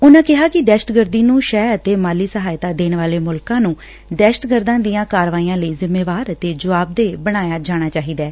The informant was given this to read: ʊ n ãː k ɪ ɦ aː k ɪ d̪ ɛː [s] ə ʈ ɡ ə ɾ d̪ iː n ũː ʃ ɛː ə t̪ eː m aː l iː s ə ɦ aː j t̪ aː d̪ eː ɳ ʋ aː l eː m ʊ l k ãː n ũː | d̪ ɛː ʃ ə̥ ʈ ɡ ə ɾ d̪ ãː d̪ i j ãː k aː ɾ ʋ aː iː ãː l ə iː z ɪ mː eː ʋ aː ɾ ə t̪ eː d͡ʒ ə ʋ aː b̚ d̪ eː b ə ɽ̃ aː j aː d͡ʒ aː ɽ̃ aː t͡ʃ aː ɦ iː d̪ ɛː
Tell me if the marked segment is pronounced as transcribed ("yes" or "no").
no